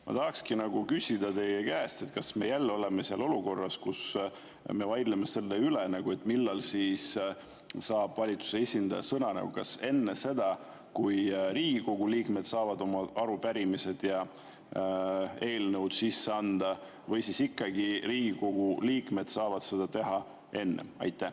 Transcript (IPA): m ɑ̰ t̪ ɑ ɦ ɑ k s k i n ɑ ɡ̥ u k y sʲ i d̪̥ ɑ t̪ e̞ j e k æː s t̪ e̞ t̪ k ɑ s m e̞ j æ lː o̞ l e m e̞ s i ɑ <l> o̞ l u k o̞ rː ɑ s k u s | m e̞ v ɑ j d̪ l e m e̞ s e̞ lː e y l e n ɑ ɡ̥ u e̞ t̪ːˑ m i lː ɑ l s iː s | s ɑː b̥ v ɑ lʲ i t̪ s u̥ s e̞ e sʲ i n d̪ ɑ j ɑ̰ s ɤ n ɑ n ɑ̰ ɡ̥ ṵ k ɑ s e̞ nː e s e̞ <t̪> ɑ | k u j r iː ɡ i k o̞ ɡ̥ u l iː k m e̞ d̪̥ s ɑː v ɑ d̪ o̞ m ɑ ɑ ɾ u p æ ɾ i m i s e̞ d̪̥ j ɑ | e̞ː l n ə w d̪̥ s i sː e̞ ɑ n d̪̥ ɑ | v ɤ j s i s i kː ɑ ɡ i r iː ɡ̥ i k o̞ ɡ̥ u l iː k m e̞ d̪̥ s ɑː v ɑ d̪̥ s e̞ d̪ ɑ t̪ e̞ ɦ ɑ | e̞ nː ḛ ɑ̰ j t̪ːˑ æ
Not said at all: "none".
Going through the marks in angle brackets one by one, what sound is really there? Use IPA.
l, d̪

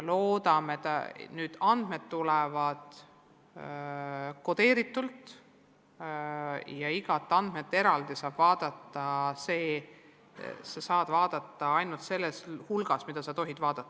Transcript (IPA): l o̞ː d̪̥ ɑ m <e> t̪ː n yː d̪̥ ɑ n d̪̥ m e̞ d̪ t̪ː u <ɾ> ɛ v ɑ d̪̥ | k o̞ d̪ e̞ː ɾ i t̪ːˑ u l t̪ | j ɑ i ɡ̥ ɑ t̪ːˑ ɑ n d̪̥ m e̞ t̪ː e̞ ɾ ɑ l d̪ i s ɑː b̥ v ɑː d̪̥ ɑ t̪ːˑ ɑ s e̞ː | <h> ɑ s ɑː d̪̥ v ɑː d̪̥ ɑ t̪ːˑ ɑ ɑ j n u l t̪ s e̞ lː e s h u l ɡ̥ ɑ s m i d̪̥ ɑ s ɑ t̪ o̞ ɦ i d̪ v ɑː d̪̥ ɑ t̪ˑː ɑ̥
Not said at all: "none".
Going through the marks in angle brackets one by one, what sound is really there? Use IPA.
e, l, s

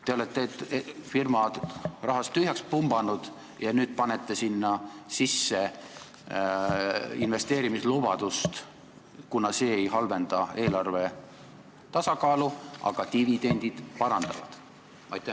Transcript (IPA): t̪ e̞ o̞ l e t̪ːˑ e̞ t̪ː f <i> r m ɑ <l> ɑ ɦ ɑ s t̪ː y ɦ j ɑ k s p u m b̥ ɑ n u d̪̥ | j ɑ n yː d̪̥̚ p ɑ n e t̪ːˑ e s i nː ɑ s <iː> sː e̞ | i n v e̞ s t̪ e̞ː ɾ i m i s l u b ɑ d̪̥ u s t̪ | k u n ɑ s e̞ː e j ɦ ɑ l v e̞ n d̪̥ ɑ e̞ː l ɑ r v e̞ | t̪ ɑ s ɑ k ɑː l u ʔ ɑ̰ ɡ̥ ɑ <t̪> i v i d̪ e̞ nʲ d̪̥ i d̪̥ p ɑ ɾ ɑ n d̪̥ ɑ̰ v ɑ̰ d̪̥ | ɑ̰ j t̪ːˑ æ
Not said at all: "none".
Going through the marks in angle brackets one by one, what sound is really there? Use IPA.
i, r, i, t̪

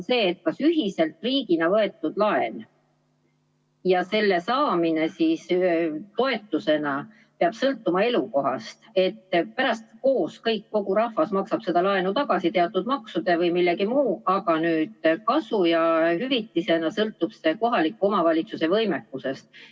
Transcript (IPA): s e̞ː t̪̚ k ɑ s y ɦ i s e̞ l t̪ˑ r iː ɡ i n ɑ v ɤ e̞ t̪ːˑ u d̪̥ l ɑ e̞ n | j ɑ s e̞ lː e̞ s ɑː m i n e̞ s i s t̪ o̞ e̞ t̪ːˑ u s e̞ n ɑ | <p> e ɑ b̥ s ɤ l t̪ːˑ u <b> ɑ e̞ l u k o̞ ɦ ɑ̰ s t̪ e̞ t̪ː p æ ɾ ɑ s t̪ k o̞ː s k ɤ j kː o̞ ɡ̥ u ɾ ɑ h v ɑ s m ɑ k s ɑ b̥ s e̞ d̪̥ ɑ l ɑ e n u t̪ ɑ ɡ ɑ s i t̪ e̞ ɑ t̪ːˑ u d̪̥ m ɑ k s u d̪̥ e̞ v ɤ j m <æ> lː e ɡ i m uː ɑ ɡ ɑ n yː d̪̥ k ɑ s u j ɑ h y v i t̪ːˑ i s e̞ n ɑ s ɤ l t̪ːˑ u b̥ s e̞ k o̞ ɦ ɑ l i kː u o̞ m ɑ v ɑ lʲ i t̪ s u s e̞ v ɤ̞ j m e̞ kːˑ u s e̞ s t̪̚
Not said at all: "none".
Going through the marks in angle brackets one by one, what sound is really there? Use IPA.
p, m, i

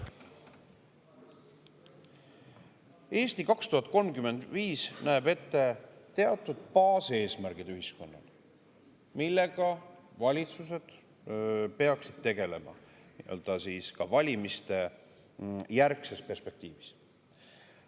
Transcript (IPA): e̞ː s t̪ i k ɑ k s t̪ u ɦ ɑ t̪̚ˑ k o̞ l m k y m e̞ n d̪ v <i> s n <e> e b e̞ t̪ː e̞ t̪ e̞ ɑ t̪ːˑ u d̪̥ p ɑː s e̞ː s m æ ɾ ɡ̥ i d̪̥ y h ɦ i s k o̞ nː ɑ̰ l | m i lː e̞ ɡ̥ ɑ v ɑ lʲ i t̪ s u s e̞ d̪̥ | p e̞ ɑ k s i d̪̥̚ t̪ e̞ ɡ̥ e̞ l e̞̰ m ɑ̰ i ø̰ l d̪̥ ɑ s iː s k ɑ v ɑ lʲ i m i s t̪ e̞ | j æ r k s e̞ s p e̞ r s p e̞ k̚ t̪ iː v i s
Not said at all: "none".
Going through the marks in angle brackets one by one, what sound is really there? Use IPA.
iː, æ

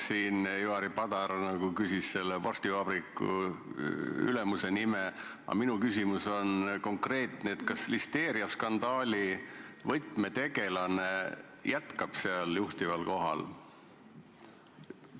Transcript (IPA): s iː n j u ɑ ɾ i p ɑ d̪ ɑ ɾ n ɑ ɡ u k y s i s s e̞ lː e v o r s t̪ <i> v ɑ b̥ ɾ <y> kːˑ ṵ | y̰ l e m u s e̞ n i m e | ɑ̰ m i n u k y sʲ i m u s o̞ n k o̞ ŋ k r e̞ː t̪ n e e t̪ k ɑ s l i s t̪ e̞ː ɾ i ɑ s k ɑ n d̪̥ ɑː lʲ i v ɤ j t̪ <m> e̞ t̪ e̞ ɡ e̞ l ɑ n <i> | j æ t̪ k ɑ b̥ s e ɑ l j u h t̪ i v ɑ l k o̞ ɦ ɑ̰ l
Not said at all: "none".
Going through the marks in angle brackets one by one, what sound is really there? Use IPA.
i, i, m, e

